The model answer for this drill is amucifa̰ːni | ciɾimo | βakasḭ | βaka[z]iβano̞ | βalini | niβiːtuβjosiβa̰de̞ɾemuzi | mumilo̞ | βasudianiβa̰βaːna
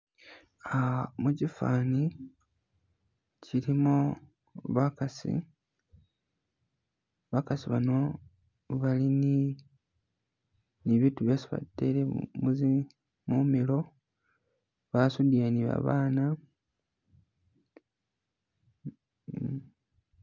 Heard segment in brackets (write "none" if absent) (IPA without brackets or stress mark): s